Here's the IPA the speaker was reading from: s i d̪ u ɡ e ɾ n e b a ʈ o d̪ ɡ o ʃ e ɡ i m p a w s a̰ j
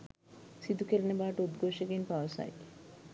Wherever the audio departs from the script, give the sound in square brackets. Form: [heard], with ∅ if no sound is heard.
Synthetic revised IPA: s i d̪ u [k] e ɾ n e b a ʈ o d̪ ɡ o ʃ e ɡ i [n] p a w s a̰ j

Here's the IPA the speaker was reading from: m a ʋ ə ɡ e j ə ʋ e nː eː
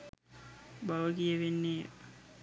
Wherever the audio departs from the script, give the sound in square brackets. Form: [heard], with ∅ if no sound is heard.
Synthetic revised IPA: [b] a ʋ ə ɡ [i] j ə ʋ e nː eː

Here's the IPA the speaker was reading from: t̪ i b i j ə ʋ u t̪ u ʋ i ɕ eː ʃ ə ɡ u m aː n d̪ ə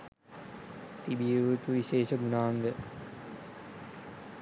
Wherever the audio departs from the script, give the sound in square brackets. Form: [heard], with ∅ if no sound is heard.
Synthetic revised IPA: t̪ i b i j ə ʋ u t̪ u ʋ i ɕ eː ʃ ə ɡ u [n] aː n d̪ ə

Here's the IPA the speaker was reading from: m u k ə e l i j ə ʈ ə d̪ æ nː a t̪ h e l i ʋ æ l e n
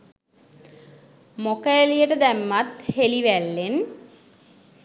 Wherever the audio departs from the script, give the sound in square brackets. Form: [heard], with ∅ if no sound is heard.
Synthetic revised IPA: m [o] k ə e l i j ə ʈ ə d̪ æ [mː] a t̪ h e l i ʋ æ [lː] e n

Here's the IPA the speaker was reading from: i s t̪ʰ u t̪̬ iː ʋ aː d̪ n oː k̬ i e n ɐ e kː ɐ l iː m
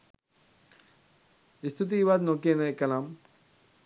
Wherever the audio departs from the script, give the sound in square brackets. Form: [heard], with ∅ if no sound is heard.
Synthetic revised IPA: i s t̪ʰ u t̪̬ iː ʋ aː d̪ n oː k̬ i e n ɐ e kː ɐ l [aː] m

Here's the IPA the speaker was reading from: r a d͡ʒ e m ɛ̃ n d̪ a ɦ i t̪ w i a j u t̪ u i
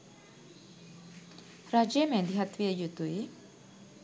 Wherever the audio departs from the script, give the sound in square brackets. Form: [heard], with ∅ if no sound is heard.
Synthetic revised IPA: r a d͡ʒ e m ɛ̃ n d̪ [i] ɦ [a] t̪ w i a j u t̪ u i

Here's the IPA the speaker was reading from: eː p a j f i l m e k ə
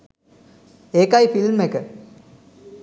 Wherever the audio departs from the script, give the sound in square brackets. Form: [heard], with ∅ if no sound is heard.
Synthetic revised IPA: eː [k] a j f i l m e k ə

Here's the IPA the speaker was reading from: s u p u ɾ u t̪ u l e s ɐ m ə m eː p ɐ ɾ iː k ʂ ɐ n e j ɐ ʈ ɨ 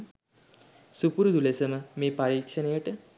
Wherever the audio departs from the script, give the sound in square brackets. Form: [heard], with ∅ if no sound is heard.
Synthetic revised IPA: s u p u ɾ u [d̪] u l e s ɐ m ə m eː p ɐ ɾ iː k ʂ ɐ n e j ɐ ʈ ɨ

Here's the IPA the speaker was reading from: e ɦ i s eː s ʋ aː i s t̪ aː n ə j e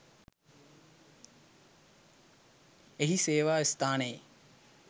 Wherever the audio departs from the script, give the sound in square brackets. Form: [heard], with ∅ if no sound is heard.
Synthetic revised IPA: e ɦ i s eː [∅] ʋ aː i s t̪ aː n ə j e

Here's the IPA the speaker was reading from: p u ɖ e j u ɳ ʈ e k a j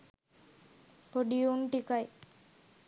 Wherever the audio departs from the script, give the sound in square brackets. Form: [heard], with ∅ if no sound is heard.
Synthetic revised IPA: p [o] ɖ [i] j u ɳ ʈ [i] k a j

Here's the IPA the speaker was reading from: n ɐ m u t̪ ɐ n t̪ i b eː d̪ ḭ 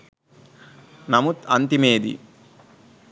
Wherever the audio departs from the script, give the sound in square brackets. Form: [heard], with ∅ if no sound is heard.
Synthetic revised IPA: n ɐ m u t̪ ɐ n t̪ i [m] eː d̪ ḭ

